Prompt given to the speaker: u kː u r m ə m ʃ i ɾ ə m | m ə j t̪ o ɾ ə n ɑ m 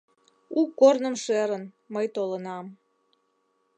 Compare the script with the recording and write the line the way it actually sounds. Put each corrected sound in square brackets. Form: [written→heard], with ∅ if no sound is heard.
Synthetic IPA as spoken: u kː [u→o] r [m→n] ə m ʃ [i→e] ɾ ə [m→n] | m ə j t̪ o [ɾ→l] ə n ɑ m